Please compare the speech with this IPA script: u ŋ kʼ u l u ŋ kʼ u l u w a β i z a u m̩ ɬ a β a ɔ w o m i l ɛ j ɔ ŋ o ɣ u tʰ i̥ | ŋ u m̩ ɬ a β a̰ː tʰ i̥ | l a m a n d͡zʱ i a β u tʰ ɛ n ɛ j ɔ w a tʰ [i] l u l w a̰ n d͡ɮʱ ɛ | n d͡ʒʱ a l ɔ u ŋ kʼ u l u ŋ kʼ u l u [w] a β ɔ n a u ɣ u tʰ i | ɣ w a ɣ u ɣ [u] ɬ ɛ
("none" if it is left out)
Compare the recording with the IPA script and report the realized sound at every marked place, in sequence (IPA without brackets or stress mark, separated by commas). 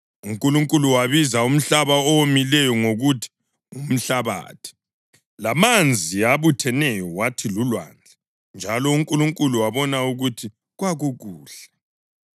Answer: i, w, uː